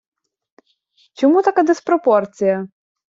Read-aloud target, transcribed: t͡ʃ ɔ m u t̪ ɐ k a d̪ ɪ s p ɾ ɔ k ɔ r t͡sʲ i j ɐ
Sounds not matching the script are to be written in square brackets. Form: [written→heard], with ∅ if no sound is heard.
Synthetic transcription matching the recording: t͡ʃ ɔ m u t̪ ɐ k a d̪ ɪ s p ɾ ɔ [k→p] ɔ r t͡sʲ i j ɐ